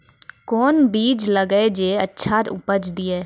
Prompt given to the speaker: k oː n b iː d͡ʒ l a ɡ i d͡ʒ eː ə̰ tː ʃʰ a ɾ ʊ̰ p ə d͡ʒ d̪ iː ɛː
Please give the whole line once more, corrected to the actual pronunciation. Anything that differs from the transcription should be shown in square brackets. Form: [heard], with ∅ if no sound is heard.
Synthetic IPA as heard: k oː n b iː d͡ʒ l [ə] ɡ [e] d͡ʒ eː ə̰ tː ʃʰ a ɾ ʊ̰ p ə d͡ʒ d̪ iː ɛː